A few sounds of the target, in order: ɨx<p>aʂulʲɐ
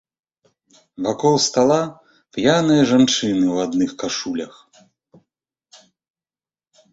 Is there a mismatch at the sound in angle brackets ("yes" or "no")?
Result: yes